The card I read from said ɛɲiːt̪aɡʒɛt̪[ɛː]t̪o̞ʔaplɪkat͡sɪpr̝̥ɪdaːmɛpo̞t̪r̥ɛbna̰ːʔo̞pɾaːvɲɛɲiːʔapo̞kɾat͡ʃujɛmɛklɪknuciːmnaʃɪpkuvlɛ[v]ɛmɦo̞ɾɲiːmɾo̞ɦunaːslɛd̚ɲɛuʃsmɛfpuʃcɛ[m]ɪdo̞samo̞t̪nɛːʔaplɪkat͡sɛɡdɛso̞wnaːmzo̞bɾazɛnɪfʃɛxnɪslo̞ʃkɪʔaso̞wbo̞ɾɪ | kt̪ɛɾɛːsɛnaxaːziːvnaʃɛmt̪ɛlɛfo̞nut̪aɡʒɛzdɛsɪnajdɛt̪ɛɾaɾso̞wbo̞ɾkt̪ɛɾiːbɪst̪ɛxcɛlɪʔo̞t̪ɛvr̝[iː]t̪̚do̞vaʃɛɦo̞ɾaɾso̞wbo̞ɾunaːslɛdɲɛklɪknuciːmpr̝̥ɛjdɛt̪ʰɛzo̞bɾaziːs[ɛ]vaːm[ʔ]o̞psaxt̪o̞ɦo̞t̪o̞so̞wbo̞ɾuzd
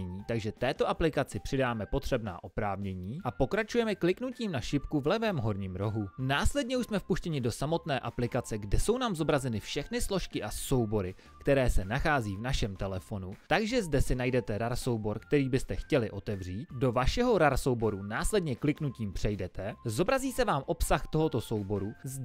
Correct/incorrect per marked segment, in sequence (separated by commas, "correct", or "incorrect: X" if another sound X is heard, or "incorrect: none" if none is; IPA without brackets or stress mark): correct, correct, incorrect: ɲ, correct, correct, correct